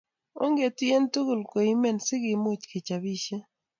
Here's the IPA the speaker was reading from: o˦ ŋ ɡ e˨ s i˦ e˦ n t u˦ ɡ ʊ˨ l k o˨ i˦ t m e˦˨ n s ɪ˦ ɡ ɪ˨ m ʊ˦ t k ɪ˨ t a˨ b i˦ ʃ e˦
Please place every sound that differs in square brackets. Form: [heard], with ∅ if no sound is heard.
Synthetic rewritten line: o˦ ŋ ɡ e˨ [t] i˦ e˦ n t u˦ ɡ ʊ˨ l k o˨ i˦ [∅] m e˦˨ n s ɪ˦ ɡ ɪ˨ m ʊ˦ [t͡ʃ] k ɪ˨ [t͡ʃ] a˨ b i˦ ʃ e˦